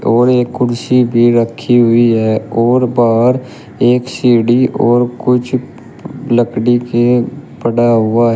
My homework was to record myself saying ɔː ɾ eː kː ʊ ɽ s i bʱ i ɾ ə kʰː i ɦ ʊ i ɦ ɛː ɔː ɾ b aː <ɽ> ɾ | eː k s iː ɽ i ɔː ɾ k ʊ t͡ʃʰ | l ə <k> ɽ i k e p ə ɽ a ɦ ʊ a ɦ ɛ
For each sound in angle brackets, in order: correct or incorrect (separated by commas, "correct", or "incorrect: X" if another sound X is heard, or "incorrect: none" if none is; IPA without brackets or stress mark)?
incorrect: none, correct